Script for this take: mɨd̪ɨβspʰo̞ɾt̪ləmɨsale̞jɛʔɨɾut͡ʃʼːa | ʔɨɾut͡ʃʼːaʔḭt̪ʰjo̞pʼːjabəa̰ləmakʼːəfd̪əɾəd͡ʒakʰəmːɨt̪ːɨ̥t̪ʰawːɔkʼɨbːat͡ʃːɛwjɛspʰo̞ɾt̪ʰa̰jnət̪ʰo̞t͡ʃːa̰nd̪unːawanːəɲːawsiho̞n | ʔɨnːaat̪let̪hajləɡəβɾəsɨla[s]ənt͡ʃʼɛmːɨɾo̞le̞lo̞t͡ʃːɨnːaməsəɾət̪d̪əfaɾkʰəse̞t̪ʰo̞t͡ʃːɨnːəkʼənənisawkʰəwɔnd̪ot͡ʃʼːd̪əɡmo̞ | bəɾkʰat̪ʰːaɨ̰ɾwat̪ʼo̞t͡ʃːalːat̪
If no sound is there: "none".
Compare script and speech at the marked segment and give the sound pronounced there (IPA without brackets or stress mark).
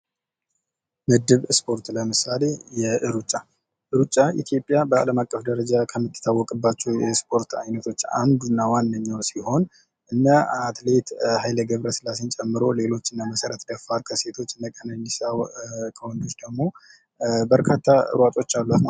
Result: s